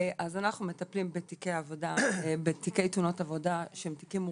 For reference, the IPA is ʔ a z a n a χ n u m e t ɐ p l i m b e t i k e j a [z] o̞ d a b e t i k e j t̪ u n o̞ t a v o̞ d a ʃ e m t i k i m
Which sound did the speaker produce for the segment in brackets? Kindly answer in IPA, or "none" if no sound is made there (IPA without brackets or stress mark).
v